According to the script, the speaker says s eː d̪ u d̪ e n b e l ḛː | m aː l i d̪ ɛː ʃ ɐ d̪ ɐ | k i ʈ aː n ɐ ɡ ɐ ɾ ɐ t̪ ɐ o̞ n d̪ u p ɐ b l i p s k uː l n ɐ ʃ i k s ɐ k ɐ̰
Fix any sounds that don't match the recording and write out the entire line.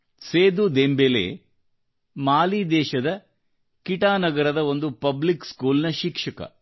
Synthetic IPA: s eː d̪ u d̪ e m b e l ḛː | m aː l i d̪ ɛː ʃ ɐ d̪ ɐ | k i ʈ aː n ɐ ɡ ɐ ɾ ɐ d̪ ɐ o̞ n d̪ u p ɐ b l i k s k uː l n ɐ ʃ i k ʂ ɐ k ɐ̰

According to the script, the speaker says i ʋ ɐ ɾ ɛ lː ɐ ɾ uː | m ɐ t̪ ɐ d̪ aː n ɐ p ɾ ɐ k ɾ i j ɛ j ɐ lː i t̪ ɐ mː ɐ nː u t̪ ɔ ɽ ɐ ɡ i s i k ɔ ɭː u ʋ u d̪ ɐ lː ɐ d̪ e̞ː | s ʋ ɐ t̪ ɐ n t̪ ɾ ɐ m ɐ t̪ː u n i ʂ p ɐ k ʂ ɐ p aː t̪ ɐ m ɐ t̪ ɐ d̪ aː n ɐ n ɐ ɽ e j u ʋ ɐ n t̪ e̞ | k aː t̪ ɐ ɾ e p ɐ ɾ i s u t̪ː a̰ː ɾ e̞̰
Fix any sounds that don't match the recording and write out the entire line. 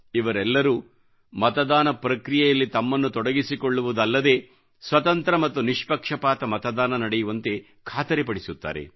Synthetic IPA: i ʋ ɐ ɾ ɛ lː ɐ ɾ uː | m ɐ t̪ ɐ d̪ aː n ɐ p ɾ ɐ k ɾ i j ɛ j ɐ lː i t̪ ɐ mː ɐ nː u t̪ ɔ ɽ ɐ ɡ i s i k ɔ ɭː u ʋ u d̪ ɐ lː ɐ d̪ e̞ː | s ʋ ɐ t̪ ɐ n t̪ ɾ ɐ m ɐ t̪ː u n i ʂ p ɐ k ʂ ɐ p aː t̪ ɐ m ɐ t̪ ɐ d̪ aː n ɐ n ɐ ɽ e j u ʋ ɐ n t̪ e̞ | kʰ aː t̪ ɐ ɾ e p ɐ ɽ i s u t̪ː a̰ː ɾ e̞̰

